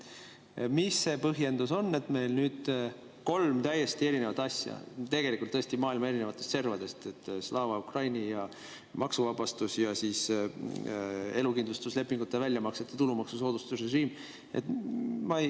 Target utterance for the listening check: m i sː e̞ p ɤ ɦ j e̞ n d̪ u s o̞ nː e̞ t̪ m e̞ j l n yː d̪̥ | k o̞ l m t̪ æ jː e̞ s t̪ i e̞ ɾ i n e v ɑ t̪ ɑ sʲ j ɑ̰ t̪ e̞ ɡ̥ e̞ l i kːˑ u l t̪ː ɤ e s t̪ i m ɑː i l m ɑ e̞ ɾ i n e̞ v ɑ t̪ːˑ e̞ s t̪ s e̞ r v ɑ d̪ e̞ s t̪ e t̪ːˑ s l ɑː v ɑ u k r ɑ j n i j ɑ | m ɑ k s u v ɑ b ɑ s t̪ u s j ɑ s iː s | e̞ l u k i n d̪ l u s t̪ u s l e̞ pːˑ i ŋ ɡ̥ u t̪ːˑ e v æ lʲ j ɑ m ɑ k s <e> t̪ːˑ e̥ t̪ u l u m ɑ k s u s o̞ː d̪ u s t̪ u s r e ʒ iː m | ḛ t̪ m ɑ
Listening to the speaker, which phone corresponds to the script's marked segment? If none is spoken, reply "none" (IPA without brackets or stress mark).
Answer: e